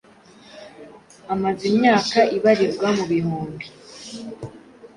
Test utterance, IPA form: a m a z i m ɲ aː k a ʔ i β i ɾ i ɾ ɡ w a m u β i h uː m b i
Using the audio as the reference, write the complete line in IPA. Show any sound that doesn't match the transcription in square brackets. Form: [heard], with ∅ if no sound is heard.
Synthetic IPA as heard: a m a z i m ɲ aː k a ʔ i β [a] ɾ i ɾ ɡ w a m u β i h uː m b i

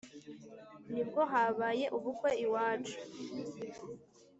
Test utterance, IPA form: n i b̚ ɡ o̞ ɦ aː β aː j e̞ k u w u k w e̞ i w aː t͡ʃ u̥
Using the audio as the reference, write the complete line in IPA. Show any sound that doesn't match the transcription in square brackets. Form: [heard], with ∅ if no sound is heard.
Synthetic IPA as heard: n i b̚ ɡ o̞ ɦ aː β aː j e̞ [ʔ] u [β] u k w e̞ i w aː t͡ʃ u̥

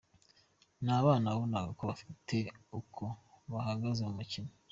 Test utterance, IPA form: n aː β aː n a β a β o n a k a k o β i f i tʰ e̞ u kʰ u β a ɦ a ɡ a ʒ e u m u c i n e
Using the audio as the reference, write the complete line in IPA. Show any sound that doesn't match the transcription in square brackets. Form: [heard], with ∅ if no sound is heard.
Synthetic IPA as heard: n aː β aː n a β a β o n a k a k o β [a] f i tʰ e̞ u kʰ [o] β a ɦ a ɡ a [z] e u m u c i n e

